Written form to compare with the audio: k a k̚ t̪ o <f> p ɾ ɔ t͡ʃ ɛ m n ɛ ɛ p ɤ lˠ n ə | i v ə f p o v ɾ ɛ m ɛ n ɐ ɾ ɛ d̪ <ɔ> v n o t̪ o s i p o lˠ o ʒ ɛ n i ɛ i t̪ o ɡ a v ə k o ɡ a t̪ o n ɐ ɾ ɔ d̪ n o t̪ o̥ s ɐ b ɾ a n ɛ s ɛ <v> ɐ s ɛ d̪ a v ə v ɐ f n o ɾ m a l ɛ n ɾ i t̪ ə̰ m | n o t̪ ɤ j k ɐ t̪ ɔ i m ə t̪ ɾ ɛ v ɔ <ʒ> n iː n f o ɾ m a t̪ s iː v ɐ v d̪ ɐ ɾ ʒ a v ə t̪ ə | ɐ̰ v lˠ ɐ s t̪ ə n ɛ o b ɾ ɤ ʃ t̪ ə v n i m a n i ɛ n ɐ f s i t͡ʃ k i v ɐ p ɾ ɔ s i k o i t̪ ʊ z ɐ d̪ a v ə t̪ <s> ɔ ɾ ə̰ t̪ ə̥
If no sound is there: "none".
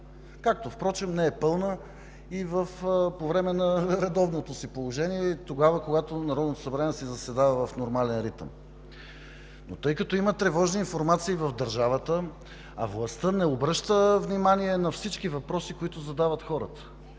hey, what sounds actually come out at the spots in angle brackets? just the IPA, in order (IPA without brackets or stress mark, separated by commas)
f, ɔ, z, ʒ, x